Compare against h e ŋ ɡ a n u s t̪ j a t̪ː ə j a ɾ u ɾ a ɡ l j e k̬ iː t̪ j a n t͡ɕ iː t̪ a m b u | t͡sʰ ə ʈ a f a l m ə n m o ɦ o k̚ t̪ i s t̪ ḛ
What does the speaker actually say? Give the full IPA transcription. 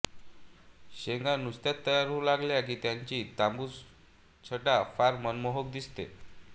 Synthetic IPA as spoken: ɕ e ŋ ɡ a n u s t̪ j a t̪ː ə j a ɾ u l a ɡ l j a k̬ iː t̪ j a ɲ t͡ɕ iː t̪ a m b u | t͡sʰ ə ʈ a f a ɾ m ə n m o ɦ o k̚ d̪ i s t̪ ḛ